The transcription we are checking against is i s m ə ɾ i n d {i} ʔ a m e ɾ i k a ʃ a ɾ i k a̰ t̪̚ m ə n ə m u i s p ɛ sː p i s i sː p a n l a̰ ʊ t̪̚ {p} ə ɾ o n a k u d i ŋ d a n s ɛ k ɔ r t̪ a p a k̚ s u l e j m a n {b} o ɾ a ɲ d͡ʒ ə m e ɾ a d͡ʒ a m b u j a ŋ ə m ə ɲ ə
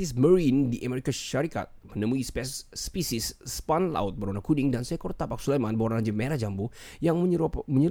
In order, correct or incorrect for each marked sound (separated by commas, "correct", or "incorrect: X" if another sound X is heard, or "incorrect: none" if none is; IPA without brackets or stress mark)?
correct, incorrect: b, correct